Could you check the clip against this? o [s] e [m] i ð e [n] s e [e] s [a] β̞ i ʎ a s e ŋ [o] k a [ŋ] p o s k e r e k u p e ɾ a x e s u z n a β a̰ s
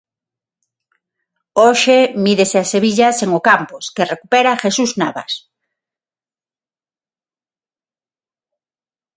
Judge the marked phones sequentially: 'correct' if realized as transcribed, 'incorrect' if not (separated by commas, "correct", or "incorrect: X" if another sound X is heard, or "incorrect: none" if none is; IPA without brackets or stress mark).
incorrect: ʃ, correct, incorrect: none, incorrect: a, incorrect: e, correct, incorrect: m